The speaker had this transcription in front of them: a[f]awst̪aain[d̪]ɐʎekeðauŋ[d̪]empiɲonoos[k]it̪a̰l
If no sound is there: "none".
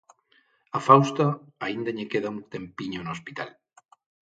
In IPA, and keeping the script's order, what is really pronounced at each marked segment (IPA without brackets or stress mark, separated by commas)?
f, d̪, t̪, p